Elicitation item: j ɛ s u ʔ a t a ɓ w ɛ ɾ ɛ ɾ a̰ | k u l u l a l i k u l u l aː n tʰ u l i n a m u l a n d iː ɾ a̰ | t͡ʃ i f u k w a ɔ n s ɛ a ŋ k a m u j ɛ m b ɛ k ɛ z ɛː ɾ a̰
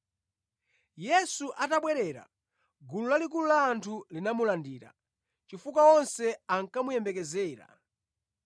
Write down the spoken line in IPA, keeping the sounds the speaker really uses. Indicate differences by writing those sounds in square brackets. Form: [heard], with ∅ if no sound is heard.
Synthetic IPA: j ɛ s u ʔ a t a ɓ w ɛ ɾ ɛ ɾ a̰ | [ɡ] u l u l a l i k u l u l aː n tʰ u l i n a m u l a n d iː ɾ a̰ | t͡ʃ i f u k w a ɔ n s ɛ a ŋ k a m u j ɛ m b ɛ k ɛ z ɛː ɾ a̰